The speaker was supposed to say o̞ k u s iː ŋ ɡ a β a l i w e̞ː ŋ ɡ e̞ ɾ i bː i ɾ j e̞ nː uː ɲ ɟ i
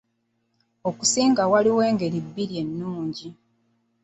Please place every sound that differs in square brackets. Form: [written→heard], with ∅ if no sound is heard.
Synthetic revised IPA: o̞ k u s iː ŋ ɡ a [β→w] a l i w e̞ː ŋ ɡ e̞ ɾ i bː i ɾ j e̞ nː uː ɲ ɟ i

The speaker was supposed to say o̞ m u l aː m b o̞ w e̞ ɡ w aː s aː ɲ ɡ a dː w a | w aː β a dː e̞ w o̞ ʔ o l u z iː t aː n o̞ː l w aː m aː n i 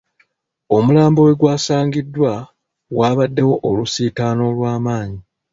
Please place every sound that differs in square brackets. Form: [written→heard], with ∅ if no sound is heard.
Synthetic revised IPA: o̞ m u l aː m b o̞ w e̞ ɡ w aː s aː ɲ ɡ [a→i] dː w a | w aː β a dː e̞ w o̞ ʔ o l u [z→s] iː t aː n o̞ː l w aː m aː [n→ɲ] i

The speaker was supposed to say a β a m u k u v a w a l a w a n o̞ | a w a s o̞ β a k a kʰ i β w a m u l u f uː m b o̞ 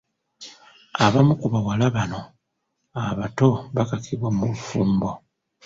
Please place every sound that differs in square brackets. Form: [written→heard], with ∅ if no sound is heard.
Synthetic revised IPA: a β a m u k u [v→β] a w a l a [w→β] a n o̞ | a [w→β] a [s→t] o̞ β a k a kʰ i β w a m u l u f uː m b o̞

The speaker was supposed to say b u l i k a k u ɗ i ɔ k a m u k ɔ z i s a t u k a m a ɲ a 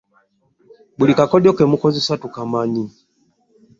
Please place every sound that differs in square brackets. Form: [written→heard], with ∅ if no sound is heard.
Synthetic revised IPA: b u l i k a k [u→ɔ] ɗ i ɔ k [a→ɛ] m u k ɔ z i s a t u k a m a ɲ [a→i]

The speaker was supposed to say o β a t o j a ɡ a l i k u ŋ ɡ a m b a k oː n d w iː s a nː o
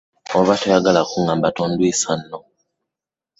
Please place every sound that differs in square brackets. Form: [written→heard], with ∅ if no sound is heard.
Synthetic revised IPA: o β a t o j a ɡ a l [i→a] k u ŋ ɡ a m b a [k→t] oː n d w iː s a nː o

